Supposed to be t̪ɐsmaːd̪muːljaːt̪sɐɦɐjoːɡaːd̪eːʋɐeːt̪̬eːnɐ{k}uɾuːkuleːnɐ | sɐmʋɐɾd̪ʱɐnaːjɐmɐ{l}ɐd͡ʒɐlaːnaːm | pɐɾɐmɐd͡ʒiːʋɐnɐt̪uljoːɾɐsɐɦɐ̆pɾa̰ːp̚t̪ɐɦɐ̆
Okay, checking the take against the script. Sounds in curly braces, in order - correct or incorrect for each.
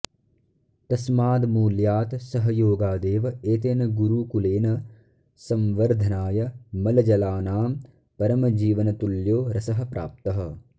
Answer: incorrect, correct

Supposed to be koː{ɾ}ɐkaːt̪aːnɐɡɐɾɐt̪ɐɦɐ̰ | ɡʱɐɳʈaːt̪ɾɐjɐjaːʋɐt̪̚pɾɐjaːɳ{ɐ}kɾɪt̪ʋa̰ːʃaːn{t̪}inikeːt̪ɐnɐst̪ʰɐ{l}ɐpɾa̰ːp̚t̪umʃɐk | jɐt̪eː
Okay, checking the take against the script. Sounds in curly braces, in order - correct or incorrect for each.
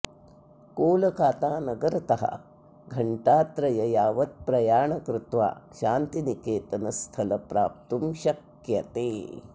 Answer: incorrect, correct, correct, correct

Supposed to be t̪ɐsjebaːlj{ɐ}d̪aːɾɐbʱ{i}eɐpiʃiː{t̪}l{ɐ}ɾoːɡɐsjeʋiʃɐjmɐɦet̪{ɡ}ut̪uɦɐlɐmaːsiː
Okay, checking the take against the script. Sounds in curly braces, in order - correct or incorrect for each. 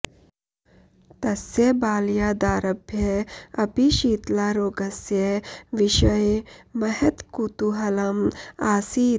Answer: incorrect, incorrect, correct, incorrect, incorrect

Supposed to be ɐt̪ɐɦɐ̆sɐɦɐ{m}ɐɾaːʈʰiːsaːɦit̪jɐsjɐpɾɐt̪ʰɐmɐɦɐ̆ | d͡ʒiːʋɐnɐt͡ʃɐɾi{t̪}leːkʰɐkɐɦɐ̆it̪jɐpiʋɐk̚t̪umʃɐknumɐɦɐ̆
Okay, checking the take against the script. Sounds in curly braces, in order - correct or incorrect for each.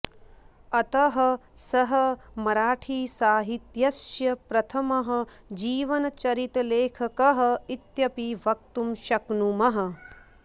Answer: correct, correct

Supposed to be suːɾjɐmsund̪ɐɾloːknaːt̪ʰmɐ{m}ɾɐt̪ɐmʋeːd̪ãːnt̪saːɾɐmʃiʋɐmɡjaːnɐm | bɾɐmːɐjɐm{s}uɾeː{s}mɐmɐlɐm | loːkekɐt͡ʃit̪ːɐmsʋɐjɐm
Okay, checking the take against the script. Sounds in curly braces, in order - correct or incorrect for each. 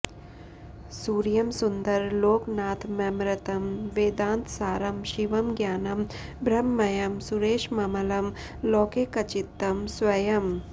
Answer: correct, correct, incorrect

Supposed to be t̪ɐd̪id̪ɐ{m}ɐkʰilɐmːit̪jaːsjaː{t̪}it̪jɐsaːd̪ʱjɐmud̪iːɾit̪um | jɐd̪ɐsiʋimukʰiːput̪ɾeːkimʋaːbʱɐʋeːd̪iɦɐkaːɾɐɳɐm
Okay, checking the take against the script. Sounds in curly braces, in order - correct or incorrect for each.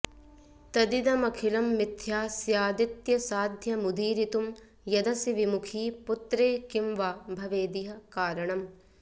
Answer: correct, incorrect

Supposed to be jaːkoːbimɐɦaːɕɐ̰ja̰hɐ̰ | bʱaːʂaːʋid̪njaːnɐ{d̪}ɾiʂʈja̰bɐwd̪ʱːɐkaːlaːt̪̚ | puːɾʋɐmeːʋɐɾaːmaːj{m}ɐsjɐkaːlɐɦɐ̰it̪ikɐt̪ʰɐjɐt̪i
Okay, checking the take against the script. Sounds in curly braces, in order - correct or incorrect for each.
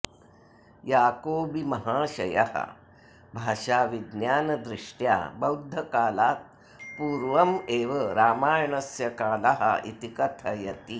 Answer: correct, incorrect

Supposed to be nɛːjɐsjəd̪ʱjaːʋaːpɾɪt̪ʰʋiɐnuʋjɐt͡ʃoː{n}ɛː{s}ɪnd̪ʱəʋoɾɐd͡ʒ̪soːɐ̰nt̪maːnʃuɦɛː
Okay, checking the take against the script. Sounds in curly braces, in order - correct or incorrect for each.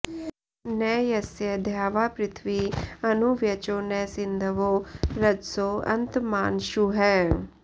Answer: correct, correct

